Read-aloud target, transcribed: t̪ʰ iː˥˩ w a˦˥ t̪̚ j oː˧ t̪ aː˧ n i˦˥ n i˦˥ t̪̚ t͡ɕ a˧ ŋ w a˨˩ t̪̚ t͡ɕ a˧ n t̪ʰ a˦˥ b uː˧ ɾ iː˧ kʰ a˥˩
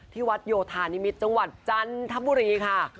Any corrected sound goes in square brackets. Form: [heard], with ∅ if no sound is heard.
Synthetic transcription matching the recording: t̪ʰ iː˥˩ w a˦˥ t̪̚ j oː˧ [t̪ʰ] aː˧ n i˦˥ [m] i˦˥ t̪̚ t͡ɕ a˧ ŋ w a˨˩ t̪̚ t͡ɕ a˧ n t̪ʰ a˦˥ b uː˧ ɾ iː˧ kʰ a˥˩